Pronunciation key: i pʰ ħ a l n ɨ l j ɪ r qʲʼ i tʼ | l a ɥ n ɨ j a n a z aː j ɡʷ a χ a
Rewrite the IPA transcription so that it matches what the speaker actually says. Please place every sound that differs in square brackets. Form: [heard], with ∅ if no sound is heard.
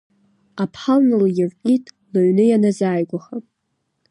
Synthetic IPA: [a] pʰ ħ a l n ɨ l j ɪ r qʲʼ i tʼ | l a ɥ n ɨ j a n a z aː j ɡʷ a χ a